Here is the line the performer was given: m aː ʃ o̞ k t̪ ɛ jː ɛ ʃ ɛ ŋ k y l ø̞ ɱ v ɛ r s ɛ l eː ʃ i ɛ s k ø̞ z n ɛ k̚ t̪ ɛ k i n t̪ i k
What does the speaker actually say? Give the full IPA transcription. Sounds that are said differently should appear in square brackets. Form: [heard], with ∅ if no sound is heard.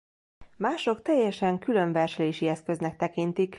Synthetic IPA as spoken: m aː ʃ o̞ k t̪ ɛ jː ɛ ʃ ɛ ŋ k y l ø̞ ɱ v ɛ r [ʃ] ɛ l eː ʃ i ɛ s k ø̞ z n ɛ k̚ t̪ ɛ k i n t̪ i k